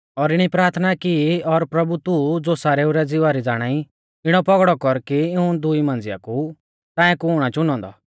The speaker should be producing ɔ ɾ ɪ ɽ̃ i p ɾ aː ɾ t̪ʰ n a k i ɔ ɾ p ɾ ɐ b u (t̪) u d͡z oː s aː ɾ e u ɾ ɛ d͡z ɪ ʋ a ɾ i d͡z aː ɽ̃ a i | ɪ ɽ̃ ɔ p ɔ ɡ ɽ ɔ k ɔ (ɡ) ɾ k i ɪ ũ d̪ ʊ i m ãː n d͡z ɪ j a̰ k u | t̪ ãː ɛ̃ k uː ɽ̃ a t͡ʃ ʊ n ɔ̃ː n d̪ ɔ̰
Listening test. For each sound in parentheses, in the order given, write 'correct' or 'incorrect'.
correct, incorrect

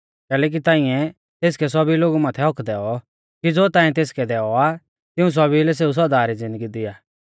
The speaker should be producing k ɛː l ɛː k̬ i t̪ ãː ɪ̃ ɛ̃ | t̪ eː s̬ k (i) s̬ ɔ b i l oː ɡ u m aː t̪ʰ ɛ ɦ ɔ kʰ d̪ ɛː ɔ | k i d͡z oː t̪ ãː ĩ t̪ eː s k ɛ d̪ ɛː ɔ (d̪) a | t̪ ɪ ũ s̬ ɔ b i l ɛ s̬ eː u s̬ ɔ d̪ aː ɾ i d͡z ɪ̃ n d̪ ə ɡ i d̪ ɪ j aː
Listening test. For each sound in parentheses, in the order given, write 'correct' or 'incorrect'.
incorrect, incorrect

